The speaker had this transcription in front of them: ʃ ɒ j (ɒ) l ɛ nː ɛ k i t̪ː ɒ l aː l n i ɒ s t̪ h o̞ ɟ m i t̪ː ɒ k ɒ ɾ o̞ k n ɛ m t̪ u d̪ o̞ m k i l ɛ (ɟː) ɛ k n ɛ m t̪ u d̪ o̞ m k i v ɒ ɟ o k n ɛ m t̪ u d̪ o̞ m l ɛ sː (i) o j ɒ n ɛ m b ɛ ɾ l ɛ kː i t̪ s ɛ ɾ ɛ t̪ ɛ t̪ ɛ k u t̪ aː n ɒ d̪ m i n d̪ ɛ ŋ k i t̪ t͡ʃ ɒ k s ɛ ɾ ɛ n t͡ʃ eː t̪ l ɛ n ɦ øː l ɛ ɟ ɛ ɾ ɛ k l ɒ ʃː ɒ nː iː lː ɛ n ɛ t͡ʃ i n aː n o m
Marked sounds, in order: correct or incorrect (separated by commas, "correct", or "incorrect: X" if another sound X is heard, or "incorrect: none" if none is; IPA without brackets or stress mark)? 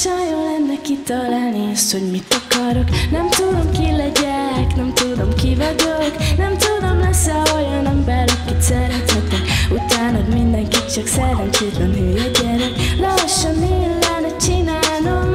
incorrect: o, incorrect: ɟ, incorrect: ɛ